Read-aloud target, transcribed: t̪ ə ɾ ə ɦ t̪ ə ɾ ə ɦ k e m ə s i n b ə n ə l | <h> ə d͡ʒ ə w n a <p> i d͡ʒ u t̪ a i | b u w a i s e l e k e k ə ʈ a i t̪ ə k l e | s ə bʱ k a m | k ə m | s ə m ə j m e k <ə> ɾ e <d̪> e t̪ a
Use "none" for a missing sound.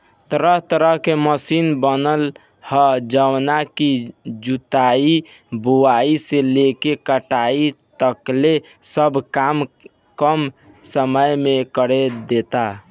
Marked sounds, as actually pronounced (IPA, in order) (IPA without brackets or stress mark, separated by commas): h, k, ə, d̪